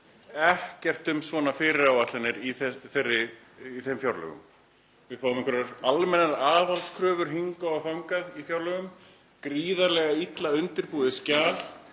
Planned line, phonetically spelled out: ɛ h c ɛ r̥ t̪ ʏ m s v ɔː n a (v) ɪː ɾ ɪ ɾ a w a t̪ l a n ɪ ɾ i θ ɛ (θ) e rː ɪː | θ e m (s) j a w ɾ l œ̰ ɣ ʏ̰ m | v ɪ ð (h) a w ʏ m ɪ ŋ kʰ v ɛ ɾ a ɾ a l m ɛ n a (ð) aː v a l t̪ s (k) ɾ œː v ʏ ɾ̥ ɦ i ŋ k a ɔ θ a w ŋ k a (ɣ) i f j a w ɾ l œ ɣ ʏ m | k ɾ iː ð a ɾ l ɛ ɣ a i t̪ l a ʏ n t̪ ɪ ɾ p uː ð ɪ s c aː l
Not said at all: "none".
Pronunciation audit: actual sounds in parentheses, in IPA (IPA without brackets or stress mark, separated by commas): f, θ, f, f, ð, kʰ, ð